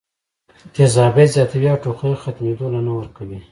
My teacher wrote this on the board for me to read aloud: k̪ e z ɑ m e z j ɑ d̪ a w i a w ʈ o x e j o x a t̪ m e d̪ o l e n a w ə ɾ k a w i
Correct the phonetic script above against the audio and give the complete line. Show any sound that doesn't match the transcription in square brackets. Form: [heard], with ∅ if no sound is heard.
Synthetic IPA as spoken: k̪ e z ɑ [b] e z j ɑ [t̪] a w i a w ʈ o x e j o x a t̪ m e d̪ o l [a] n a w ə ɾ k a w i